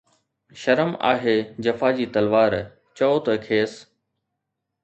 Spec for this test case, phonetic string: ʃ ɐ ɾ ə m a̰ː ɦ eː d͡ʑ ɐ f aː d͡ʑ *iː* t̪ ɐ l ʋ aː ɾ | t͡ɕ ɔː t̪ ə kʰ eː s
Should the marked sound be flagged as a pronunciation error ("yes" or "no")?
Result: no